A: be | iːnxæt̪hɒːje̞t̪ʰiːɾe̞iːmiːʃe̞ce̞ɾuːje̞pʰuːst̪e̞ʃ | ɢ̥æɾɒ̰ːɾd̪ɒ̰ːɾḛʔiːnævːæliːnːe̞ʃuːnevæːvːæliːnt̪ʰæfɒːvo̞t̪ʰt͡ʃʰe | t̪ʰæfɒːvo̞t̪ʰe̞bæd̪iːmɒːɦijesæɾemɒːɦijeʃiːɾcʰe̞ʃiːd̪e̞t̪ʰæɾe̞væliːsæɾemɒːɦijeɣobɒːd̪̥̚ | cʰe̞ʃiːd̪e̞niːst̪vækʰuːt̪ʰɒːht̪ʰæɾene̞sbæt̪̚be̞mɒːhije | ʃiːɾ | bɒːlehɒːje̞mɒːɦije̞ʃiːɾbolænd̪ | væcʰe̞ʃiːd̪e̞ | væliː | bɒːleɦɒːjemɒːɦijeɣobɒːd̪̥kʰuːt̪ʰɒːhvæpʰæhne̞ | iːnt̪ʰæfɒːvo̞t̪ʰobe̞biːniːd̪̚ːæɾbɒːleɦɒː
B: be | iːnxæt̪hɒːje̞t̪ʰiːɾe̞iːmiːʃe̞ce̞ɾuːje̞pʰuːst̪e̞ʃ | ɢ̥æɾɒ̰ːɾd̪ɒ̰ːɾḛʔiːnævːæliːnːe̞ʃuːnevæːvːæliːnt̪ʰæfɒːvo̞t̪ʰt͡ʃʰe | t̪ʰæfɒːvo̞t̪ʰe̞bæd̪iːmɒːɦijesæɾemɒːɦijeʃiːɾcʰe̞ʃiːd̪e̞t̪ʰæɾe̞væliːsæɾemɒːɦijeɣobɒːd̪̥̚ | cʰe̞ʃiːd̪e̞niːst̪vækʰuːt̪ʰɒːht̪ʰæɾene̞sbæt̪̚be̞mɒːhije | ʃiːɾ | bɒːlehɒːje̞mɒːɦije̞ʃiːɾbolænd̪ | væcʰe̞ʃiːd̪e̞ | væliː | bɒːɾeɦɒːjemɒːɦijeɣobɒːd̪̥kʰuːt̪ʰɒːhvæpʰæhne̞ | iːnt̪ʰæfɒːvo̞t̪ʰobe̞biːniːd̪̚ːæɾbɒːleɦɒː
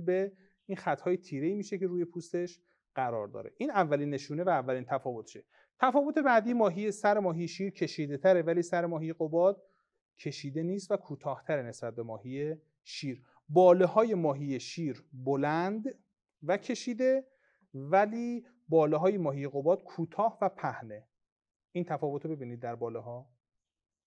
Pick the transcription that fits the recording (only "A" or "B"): A